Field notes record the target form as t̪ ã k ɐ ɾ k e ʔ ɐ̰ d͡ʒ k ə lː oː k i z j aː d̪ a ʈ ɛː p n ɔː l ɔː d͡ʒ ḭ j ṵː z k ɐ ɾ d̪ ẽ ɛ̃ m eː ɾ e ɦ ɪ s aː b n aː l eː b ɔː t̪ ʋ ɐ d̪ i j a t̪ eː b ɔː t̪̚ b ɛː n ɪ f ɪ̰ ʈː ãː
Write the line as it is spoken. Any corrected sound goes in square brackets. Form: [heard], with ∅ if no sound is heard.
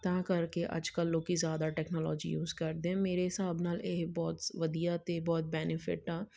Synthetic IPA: t̪ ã k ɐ ɾ k e ʔ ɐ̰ d͡ʒ k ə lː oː k i z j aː d̪ a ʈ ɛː [k] n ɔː l ɔː d͡ʒ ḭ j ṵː z k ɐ ɾ d̪ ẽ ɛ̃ m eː ɾ e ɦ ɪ s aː b n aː l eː b ɔː t̪ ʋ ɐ d̪ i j a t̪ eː b ɔː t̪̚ b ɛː n ɪ f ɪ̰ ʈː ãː